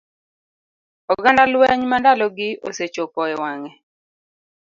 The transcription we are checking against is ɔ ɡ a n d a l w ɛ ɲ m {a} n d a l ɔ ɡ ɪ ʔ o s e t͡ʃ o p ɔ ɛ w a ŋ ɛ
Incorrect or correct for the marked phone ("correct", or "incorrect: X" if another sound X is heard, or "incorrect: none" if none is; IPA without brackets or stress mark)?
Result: correct